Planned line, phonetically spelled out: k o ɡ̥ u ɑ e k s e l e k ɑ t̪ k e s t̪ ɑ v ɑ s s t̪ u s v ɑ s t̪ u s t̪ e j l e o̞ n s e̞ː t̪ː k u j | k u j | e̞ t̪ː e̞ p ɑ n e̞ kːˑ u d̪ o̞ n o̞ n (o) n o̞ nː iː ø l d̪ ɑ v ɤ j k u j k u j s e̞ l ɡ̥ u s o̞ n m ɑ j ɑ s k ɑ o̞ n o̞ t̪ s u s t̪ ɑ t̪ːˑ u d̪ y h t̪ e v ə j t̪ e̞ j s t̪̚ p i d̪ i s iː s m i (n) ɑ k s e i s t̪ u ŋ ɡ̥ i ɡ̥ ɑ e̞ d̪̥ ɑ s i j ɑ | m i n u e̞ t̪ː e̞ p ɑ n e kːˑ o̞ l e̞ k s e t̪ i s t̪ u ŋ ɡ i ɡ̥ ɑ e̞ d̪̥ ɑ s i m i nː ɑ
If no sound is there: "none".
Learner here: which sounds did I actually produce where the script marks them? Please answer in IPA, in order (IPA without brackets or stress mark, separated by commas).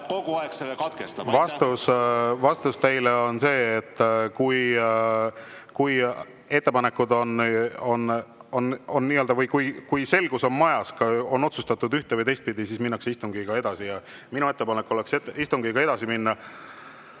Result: o, nː